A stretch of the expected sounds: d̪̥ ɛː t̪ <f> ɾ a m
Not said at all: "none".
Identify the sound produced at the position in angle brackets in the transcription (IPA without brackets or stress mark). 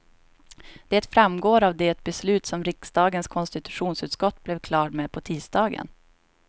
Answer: f